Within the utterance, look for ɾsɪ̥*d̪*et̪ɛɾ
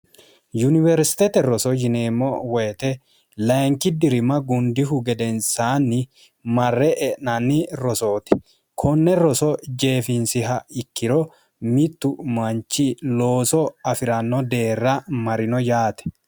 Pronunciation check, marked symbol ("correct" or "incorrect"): incorrect